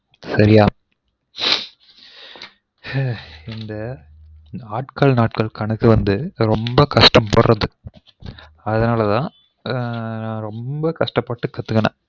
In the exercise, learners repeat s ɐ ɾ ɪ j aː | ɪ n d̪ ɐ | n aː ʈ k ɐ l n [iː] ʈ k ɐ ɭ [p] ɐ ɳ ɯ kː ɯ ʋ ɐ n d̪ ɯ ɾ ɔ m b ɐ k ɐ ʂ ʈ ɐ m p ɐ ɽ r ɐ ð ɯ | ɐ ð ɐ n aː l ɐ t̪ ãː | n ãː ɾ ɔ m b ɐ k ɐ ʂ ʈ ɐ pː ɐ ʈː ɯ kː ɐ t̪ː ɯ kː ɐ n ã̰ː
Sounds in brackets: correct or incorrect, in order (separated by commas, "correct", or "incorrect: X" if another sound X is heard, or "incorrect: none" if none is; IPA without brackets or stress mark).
incorrect: aː, incorrect: k